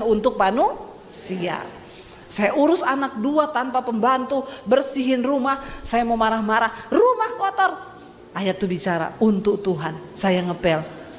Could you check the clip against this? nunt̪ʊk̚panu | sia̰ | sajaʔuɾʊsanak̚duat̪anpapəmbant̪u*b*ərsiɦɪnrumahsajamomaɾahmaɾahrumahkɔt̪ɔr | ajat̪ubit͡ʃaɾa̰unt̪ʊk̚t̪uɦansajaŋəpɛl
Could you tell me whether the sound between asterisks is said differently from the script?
no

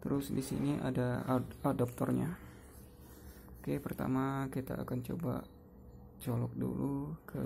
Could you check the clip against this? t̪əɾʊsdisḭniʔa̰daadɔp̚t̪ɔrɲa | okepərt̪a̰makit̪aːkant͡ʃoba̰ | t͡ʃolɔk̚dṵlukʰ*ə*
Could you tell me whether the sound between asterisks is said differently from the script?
no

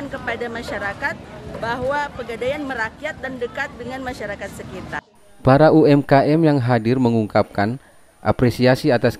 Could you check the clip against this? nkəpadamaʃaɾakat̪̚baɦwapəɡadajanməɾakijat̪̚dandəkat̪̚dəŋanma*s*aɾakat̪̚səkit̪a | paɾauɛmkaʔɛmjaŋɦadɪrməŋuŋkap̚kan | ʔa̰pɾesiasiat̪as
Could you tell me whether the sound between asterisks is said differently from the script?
yes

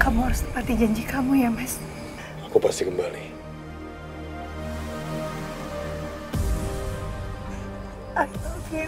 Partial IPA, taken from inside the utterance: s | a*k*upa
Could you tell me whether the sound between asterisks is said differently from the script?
no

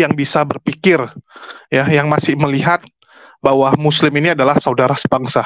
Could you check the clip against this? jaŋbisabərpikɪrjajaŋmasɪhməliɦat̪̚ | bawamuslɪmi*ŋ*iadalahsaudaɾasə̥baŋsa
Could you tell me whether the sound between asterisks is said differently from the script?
yes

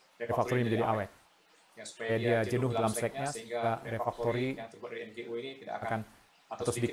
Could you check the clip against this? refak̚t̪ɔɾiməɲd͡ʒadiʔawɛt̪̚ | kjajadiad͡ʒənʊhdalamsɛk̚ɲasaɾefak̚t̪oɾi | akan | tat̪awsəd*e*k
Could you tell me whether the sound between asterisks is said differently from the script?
yes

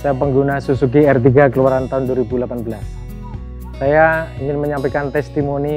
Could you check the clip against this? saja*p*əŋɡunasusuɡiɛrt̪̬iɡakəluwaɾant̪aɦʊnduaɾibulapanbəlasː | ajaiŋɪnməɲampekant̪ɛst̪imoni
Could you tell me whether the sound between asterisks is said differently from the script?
no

